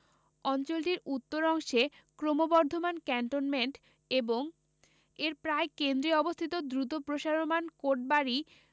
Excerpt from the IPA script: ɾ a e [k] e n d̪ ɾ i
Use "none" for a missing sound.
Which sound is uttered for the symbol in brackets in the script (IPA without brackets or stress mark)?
k